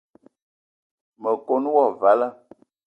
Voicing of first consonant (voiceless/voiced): voiced